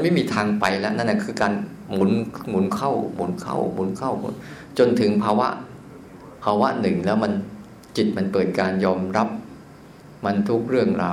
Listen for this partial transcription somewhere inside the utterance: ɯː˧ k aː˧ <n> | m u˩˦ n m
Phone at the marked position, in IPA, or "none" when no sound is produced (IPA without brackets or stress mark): n